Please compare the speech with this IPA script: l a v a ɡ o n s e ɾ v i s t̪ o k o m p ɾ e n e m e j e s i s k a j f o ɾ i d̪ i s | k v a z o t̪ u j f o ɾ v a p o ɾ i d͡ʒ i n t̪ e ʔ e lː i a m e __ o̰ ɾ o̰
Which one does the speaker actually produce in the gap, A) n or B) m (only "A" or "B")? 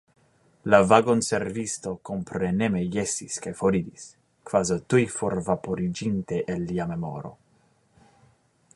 B